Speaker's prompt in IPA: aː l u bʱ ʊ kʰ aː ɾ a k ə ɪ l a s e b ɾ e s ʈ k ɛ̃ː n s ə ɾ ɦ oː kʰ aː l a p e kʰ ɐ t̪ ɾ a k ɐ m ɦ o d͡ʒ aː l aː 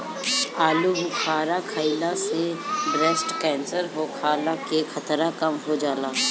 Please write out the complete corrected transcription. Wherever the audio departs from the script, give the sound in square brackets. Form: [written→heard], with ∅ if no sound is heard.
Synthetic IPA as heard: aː l u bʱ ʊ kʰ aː ɾ a [k→kʰ] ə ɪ l a s e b ɾ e s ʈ k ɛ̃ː n s ə ɾ ɦ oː kʰ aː l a [p→k] e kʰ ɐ t̪ ɾ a k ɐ m ɦ o d͡ʒ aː l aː